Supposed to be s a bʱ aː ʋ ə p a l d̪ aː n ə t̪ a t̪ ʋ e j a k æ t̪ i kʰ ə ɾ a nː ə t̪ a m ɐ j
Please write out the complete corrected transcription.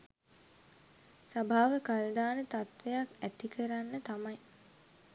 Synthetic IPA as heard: s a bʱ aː ʋ ə k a l d̪ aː n ə t̪ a t̪ ʋ e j a k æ t̪ i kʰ ə ɾ a nː ə t̪ a m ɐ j